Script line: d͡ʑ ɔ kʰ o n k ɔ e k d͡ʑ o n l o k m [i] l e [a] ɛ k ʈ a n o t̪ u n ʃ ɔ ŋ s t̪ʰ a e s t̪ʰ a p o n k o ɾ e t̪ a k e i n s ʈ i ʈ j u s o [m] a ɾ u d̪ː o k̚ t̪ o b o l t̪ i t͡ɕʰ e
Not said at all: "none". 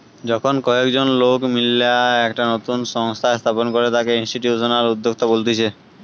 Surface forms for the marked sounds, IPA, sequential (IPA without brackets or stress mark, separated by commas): i, a, n